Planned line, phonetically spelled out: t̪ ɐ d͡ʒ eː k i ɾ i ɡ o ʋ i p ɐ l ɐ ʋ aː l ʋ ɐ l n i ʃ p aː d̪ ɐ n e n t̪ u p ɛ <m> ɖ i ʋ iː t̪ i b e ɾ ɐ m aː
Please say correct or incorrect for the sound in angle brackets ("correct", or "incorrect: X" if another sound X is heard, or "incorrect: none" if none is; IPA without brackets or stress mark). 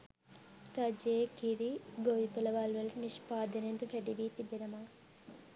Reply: incorrect: none